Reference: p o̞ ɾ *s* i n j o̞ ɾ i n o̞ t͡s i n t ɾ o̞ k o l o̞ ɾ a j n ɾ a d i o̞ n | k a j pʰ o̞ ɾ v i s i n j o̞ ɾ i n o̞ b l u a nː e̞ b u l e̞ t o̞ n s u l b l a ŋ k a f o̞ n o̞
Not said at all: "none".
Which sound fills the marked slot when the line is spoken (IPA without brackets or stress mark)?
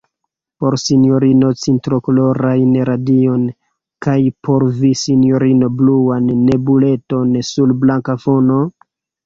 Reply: s